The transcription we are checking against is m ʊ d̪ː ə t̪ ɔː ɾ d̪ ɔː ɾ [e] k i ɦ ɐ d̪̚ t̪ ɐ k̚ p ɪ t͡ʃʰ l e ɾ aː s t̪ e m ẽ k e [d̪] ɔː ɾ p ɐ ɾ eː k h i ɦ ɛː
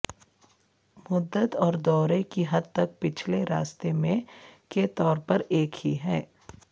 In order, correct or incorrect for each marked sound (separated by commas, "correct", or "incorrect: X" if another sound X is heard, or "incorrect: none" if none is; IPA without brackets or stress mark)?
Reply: correct, incorrect: t̪